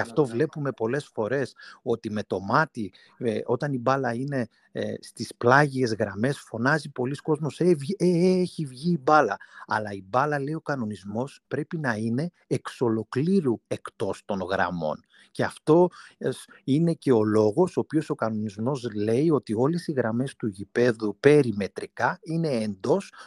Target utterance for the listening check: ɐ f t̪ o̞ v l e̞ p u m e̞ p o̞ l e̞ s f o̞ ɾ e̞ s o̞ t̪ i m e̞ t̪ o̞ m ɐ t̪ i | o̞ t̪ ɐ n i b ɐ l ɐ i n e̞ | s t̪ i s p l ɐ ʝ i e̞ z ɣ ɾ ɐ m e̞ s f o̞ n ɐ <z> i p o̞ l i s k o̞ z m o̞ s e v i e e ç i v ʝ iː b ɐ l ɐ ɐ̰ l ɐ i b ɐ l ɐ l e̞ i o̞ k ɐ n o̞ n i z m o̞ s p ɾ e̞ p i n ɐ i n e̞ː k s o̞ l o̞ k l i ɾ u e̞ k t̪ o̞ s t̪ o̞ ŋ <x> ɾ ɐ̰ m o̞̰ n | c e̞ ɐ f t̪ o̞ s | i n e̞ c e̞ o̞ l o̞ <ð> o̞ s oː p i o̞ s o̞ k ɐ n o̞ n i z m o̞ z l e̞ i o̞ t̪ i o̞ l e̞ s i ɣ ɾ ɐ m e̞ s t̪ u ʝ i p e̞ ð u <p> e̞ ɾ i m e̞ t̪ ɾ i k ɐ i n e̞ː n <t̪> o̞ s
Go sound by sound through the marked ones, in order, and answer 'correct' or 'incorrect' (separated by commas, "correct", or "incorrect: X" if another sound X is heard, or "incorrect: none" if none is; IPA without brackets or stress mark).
correct, incorrect: ɣ, incorrect: ɣ, correct, incorrect: d̪